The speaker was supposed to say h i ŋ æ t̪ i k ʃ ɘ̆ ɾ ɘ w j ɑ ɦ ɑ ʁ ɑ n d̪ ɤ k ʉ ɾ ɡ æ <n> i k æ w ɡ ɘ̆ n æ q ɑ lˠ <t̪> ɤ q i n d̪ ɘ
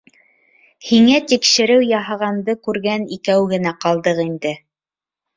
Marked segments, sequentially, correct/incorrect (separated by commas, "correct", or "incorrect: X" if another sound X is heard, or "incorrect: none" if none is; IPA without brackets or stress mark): correct, incorrect: d̪